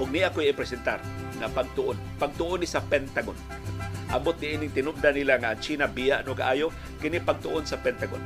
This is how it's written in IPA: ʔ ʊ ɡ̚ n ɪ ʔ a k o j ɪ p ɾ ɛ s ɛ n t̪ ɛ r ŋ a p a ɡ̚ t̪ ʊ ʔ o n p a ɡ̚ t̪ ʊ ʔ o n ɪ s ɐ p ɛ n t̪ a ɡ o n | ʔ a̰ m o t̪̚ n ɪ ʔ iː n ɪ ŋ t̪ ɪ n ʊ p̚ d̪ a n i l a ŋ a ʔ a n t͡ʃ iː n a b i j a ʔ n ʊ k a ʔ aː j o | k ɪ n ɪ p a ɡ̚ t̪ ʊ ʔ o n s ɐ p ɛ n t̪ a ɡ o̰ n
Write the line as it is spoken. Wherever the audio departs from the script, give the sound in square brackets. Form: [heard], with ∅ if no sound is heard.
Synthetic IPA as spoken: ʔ ʊ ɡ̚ n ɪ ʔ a k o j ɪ p ɾ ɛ s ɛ n t̪ [a] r ŋ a p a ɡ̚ t̪ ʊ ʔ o n p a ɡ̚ t̪ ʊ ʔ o n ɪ s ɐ p ɛ n t̪ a ɡ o n | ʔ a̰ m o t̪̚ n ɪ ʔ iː n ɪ ŋ t̪ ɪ n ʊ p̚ d̪ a n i l a ŋ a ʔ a n t͡ʃ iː n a b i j a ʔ n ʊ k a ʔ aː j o | k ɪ n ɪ p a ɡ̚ t̪ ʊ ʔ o n s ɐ p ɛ n t̪ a ɡ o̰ n